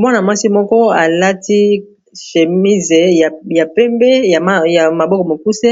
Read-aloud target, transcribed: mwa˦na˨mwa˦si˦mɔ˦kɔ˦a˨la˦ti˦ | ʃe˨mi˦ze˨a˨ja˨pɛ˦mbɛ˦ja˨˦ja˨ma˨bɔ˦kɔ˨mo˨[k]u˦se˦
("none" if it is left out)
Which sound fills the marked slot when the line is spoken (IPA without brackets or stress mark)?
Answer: k